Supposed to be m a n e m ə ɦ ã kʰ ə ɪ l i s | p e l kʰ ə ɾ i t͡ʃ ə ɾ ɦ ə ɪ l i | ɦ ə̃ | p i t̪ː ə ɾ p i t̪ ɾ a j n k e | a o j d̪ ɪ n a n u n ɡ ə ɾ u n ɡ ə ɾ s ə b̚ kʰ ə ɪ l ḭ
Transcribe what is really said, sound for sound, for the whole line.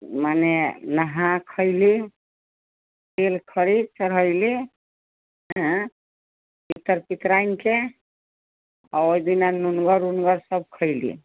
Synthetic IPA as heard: m a n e n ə ɦ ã kʰ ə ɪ l i | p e l kʰ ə ɾ i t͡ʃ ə ɾ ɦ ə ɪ l i | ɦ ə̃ | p i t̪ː ə ɾ p i t̪ ɾ a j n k e | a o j d̪ i n a n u n ɡ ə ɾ u n ɡ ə ɾ s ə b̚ kʰ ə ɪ l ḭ